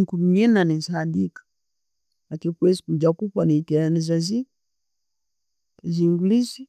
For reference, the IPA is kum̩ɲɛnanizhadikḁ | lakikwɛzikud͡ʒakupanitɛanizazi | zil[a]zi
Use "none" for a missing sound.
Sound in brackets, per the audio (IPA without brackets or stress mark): i